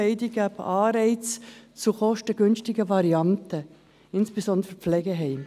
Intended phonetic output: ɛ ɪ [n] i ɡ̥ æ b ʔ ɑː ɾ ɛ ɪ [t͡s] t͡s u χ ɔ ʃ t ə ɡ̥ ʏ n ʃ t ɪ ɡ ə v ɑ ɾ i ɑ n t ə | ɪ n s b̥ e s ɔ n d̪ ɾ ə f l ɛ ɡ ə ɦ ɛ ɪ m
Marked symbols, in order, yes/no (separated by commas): no, yes